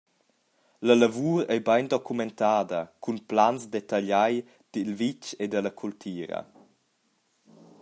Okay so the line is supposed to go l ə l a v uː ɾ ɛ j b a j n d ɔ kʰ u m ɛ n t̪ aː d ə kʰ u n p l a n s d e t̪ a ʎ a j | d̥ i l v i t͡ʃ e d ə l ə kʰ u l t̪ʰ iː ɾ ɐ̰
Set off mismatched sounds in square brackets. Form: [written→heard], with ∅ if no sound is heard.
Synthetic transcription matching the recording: l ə l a v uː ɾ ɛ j b a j n d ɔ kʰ u m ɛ n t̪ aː d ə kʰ u n p l a n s d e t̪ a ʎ a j | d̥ i l v i t͡ʃ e d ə l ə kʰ u l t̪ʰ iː ɾ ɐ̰